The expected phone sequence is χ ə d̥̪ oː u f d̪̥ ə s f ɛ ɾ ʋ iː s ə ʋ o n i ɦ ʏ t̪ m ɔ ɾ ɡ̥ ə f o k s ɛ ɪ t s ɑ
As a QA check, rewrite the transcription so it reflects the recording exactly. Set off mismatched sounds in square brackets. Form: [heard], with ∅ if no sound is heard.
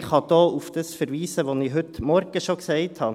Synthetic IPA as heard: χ [ɑ] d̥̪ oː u f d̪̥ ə s f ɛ ɾ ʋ iː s ə ʋ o n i ɦ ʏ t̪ m ɔ ɾ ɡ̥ ə [ʃ] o k s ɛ ɪ t [h] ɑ

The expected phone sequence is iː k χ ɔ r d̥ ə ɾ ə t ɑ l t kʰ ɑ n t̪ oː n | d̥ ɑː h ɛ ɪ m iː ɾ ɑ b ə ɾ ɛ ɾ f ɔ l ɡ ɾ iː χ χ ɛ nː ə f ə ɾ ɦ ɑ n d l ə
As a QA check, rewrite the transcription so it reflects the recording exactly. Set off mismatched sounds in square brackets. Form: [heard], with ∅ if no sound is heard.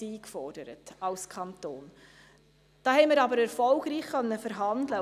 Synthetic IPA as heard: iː k [f] ɔ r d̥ ə ɾ ə t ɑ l [s] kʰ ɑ n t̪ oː n | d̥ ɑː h ɛ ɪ m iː ɾ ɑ b ə ɾ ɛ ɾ f ɔ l ɡ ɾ iː χ χ [œ] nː ə f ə ɾ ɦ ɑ n d l ə

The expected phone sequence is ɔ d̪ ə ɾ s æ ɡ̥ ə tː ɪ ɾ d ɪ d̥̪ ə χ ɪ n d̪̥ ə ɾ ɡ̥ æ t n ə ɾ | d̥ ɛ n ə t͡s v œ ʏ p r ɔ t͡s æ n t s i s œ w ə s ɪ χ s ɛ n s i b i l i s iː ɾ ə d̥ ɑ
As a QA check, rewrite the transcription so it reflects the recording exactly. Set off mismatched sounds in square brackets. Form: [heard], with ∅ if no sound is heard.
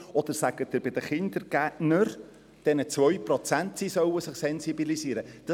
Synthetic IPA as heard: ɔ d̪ ə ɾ s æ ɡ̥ ə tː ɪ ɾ [b] ɪ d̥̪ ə χ ɪ n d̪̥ ə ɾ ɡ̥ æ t n ə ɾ | d̥ ɛ n ə t͡s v œ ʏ p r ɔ t͡s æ n t s i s œ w ə s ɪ χ s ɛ n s i b i l i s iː ɾ ə d̥ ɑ

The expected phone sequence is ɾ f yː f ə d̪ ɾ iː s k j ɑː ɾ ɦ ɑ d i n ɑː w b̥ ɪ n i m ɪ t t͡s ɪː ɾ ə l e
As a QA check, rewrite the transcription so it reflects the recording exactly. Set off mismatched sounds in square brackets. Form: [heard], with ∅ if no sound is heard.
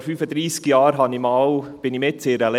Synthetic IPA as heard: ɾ f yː f ə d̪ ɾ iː s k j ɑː ɾ ɦ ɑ [n] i [m] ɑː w b̥ ɪ n i m ɪ t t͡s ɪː ɾ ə l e

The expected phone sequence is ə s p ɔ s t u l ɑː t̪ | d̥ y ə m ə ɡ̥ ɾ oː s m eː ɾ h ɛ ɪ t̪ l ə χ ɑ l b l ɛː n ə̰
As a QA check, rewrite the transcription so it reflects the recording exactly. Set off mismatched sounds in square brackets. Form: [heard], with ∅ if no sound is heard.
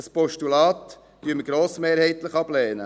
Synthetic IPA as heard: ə s p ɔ [ʃ] t u l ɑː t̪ | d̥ y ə m ə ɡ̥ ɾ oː s m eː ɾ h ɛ ɪ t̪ l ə χ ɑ [∅] b l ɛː n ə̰

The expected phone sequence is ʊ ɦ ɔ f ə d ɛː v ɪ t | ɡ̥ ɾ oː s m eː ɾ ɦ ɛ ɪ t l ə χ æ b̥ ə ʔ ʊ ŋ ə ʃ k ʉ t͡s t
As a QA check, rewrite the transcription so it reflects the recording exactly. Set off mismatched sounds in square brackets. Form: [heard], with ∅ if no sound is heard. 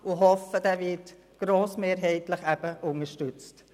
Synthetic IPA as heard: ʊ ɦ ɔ f ə d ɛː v ɪ t | ɡ̥ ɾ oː s m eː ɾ ɦ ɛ ɪ t l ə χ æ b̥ ə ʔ ʊ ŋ ə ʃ [t] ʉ t͡s t

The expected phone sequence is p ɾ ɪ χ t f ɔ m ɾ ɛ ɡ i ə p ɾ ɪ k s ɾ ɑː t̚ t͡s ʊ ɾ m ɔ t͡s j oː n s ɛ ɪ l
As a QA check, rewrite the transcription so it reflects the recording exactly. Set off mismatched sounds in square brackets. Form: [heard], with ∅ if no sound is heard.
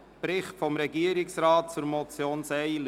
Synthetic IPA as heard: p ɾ ɪ χ t f ɔ m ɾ ɛ ɡ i ə [∅] ɾ ɪ k s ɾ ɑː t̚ t͡s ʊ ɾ m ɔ t͡s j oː n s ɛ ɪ l

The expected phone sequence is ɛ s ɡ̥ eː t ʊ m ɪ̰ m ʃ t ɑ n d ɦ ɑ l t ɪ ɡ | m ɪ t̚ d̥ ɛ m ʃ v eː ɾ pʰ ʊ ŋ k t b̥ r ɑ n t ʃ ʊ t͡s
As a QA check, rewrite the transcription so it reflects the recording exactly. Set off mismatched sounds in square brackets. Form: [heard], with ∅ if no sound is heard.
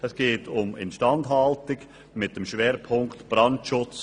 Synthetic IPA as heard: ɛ s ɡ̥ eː t ʊ m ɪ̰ [n] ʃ t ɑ n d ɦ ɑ l t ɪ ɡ | m ɪ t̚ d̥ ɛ m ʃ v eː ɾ pʰ ʊ ŋ k t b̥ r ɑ n t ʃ ʊ t͡s

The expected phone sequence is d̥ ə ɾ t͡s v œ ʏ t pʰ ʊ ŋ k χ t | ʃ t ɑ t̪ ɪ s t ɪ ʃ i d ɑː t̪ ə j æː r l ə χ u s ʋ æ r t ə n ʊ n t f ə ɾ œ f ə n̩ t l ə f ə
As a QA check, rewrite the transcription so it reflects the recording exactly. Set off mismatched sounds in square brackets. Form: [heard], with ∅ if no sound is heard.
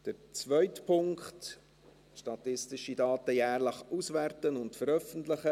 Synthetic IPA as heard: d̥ ə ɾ t͡s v œ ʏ t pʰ ʊ ŋ k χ t | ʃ t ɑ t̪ ɪ s t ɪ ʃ i d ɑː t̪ ə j æː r l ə χ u s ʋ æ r t ə n ʊ n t f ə ɾ œ f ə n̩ t l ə [χ] ə

